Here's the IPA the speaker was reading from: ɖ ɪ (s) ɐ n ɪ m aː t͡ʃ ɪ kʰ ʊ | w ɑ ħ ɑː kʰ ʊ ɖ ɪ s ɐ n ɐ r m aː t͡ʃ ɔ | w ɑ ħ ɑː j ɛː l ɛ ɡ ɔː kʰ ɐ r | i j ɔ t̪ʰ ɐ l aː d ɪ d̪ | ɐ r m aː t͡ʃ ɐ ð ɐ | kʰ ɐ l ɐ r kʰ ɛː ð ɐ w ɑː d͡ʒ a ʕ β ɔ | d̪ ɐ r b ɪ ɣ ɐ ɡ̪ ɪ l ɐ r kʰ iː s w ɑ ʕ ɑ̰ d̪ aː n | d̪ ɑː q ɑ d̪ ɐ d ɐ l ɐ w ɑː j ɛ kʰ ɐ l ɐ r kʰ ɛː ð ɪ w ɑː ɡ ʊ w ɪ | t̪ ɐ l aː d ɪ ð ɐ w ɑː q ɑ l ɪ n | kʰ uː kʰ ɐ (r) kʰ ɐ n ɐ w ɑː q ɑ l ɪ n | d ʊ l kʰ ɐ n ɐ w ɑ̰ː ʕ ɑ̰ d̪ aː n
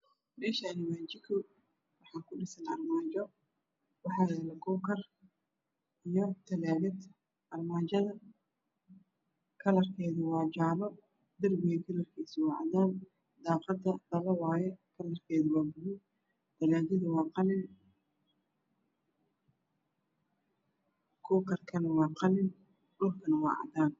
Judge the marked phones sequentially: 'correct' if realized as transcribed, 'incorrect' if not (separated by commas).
incorrect, correct